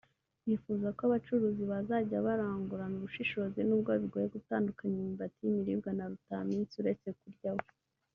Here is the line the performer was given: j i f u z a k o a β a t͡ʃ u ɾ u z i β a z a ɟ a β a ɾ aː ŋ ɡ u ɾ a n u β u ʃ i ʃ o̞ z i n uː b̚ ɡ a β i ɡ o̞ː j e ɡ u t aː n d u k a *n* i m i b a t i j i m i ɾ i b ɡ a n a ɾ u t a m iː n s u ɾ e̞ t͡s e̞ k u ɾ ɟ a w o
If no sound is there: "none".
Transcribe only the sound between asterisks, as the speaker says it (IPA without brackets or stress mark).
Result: ɲ